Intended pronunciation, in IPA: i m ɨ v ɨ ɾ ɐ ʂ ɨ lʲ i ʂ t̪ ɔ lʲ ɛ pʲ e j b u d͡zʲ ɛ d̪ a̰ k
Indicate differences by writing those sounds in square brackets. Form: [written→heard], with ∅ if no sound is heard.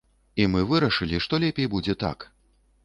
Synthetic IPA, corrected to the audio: i m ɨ v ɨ ɾ ɐ ʂ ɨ lʲ i ʂ t̪ ɔ lʲ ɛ pʲ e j b u d͡zʲ ɛ [d̪→t̪] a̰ k